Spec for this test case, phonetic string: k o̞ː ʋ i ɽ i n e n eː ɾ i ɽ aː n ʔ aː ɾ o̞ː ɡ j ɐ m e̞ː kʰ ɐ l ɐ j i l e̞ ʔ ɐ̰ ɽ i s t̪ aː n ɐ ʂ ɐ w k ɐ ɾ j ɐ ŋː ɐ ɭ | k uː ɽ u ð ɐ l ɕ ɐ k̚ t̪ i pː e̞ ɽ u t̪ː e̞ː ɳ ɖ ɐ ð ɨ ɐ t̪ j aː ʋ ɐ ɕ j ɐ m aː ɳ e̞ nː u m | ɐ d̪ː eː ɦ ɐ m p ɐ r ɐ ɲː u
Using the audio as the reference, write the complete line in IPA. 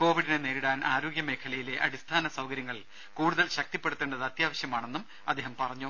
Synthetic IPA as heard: k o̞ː ʋ i ɽ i n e n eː ɾ i ɽ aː n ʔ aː ɾ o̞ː ɡ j ɐ m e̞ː kʰ ɐ l ɐ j i l e̞ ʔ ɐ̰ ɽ i s t̪ʰ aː n ɐ s ɐ w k ɐ ɾ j ɐ ŋː ɐ ɭ | k uː ɽ u ð ɐ l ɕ ɐ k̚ t̪ i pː e̞ ɽ u t̪ː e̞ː ɳ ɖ ɐ ð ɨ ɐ t̪ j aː ʋ ɐ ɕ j ɐ m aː ɳ e̞ nː u m | ɐ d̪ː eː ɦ ɐ m p ɐ r ɐ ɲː u

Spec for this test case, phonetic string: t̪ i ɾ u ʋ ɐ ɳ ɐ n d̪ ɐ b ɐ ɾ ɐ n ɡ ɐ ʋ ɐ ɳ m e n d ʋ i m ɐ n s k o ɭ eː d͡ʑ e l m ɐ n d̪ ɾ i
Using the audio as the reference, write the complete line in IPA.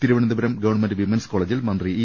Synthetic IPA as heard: t̪ i ɾ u ʋ ɐ ɳ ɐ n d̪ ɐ b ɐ ɾ ɐ m ɡ ɐ ʋ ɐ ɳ m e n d ʋ i m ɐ n s k o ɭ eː d͡ʑ i l m ɐ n d̪ r i

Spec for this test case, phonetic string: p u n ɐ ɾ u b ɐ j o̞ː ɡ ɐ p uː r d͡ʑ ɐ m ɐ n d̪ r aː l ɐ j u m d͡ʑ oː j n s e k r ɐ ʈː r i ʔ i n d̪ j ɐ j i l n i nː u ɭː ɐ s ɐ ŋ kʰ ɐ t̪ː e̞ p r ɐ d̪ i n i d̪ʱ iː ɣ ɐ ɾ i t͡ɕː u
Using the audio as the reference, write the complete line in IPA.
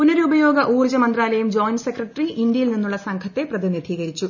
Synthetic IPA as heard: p u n ɐ ɾ u b ɐ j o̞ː ɡ ɐ ʔ uː r d͡ʑ ɐ m ɐ n d̪ r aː l ɐ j u m d͡ʑ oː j n s e k r ɐ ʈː r i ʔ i n d̪ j ɐ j i l n i nː u ɭː ɐ s ɐ ŋ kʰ ɐ t̪ː e̞ p r ɐ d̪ i n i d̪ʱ iː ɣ ɐ ɾ i t͡ɕː u

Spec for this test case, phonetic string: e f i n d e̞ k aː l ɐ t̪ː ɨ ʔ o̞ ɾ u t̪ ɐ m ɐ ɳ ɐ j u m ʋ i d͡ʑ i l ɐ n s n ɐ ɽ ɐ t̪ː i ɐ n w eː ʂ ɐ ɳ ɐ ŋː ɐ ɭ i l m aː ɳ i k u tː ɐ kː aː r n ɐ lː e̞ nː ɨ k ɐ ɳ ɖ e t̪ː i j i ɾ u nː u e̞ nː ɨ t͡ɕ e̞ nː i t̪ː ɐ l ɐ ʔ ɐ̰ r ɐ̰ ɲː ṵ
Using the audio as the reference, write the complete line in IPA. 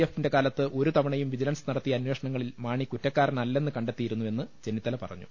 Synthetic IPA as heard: e f i n d e̞ k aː l ɐ t̪ː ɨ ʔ o̞ ɾ u t̪ ɐ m ɐ ɳ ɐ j u m ʋ i d͡ʑ i l ɐ n s n ɐ ɽ ɐ t̪ː i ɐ n w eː ʂ ɐ ɳ ɐ ŋː ɐ ɭ i l m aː ɳ i k u tː ɐ kː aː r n ɐ lː e̞ nː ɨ k ɐ ɳ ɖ e t̪ː i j i ɾ u nː u e̞ nː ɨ t͡ɕ e̞ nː i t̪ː ɐ l ɐ p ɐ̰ r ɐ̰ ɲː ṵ

